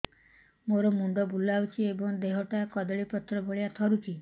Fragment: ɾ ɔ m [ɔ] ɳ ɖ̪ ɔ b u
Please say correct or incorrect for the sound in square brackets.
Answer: incorrect